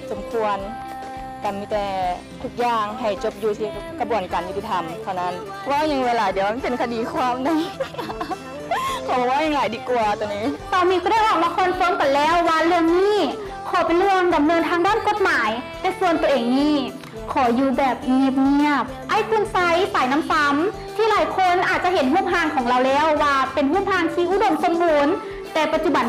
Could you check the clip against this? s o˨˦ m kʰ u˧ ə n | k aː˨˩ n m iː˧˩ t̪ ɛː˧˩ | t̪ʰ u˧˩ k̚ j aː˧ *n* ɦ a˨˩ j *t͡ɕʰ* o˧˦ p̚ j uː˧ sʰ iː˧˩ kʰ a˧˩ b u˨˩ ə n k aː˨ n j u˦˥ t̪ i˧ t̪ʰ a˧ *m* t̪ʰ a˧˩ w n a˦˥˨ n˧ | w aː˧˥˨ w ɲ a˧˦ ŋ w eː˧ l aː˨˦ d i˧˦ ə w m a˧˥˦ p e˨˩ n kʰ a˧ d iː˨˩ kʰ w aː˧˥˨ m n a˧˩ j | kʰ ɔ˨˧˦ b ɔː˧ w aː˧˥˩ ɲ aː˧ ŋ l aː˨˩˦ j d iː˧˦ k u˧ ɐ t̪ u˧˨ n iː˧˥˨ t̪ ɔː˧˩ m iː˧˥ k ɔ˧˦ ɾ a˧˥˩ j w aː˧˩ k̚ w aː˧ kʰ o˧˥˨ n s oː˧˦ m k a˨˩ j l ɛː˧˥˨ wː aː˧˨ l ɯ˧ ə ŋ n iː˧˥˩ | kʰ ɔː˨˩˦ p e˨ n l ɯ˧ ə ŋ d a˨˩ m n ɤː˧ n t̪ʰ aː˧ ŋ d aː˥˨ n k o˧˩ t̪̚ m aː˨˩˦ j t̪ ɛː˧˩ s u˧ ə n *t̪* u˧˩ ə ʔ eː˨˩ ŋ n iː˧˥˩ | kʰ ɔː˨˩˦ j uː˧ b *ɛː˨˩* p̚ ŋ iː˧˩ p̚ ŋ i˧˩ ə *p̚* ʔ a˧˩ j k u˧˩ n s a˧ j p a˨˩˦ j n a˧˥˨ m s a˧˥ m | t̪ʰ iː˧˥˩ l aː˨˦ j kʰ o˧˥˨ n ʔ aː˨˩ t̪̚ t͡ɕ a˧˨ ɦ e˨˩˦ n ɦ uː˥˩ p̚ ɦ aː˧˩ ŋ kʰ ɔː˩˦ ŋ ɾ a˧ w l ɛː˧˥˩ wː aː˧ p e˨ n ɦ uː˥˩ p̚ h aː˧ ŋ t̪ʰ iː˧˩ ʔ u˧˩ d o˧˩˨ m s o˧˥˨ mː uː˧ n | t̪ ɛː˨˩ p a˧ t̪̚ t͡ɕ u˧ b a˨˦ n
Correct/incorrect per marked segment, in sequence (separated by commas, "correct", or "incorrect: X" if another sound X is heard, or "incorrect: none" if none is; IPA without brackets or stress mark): incorrect: ŋ, incorrect: t͡ɕ, correct, correct, correct, correct